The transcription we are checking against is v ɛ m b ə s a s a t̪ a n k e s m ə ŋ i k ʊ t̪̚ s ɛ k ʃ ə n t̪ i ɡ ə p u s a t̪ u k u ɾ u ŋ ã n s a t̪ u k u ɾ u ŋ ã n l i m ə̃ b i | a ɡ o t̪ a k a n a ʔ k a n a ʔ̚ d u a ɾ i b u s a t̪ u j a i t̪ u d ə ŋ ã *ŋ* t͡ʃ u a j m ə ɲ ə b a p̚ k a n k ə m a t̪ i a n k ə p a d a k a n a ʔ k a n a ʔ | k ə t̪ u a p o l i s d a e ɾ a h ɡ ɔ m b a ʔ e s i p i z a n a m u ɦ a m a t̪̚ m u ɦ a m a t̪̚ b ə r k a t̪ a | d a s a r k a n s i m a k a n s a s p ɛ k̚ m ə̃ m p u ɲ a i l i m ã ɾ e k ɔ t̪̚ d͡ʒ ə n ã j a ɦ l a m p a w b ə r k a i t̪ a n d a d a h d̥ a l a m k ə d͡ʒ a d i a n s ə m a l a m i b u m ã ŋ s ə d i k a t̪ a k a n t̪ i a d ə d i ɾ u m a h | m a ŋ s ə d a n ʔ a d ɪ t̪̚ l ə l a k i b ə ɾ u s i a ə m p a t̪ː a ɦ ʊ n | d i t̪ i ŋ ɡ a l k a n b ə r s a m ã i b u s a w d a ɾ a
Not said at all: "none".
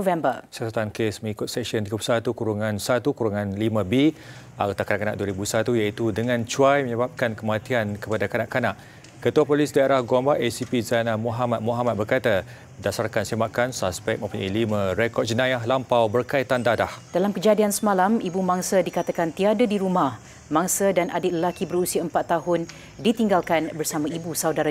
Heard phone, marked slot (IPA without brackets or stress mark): n